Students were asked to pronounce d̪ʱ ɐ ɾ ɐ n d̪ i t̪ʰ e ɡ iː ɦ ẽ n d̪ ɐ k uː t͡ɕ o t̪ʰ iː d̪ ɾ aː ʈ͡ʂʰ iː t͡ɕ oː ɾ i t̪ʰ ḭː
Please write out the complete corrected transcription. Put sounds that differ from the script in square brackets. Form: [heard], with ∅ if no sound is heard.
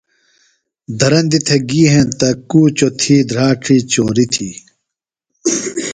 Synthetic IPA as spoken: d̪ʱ ɐ ɾ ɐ n d̪ i t̪ʰ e ɡ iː ɦ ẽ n [t̪] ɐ k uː t͡ɕ o t̪ʰ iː d̪ ɾ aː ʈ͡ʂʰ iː t͡ɕ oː ɾ i t̪ʰ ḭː